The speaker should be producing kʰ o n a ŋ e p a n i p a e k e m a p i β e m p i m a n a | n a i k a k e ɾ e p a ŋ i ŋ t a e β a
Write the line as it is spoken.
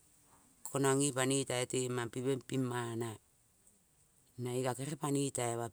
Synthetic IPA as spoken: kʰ o n a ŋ i p a n i t a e t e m a p i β e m p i m a n a | n a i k a k e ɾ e p a n i t a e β a